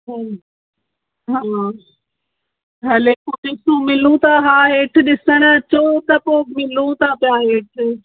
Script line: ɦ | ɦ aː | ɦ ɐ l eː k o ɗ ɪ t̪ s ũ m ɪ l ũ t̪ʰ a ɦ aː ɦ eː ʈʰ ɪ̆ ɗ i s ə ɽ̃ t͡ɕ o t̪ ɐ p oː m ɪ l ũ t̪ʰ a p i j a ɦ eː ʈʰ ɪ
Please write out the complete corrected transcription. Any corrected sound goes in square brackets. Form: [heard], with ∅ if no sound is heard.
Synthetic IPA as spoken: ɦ | ɦ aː | ɦ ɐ l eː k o ɗ ɪ [∅] s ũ m ɪ l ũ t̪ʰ a ɦ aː ɦ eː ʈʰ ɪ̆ ɗ [ɪ] s ə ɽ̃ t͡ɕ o t̪ ɐ p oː m ɪ l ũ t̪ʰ a p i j a ɦ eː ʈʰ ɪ